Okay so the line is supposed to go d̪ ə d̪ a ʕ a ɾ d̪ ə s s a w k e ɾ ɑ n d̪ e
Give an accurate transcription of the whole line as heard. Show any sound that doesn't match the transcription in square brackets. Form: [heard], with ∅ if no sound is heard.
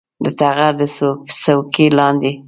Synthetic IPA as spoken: d̪ ə [t̪] a [ɣ] a ɾ d̪ ə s s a w k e [l] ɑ n d̪ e